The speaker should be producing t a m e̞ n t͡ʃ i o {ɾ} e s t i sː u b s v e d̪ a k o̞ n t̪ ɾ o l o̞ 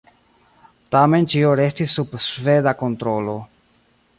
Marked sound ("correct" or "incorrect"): correct